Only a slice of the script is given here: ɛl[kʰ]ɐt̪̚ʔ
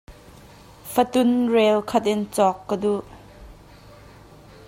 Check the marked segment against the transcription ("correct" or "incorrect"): correct